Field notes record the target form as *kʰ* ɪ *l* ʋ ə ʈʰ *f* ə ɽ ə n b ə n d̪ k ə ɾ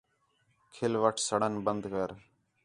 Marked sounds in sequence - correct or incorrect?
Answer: correct, correct, incorrect: s

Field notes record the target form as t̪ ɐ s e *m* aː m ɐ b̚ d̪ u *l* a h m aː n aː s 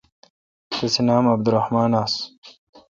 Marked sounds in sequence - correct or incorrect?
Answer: incorrect: n, incorrect: ɾ

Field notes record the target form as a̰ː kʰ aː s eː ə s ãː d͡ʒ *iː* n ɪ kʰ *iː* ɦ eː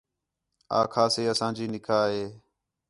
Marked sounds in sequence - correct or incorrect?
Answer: correct, incorrect: aː

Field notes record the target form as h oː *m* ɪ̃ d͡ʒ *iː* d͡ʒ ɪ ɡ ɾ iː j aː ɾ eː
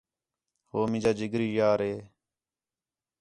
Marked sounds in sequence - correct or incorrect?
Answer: correct, incorrect: aː

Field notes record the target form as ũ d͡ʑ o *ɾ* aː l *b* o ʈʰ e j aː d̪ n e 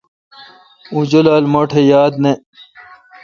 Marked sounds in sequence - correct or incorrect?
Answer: incorrect: l, incorrect: m

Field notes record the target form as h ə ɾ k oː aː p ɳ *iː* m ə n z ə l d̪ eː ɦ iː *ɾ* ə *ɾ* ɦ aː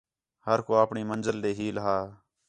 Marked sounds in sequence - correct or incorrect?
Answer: correct, incorrect: l, incorrect: none

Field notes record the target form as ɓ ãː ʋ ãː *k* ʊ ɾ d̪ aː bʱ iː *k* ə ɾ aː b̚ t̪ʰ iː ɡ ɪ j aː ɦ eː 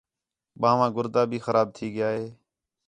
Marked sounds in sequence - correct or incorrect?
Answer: incorrect: ɡ, incorrect: x

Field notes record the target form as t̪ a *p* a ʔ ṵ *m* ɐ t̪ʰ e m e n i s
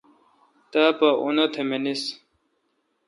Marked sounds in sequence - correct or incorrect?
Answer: correct, incorrect: n

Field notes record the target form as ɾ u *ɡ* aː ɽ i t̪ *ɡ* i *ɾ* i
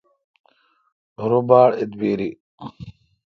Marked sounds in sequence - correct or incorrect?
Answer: incorrect: b, incorrect: b, correct

